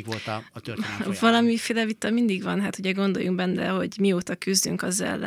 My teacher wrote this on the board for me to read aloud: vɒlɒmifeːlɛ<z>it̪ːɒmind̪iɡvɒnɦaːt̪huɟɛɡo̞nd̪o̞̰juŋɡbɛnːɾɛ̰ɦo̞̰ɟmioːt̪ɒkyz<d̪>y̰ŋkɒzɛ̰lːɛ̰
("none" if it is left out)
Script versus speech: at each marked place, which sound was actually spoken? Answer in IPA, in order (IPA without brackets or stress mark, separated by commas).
v, d̪